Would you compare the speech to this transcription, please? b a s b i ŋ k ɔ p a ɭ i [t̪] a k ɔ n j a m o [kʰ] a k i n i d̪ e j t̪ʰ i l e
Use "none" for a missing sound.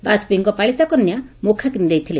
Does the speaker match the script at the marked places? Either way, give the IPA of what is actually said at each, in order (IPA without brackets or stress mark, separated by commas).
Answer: t̪, kʰ